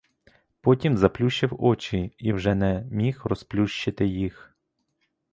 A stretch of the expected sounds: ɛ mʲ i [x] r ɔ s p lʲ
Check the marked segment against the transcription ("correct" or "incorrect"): correct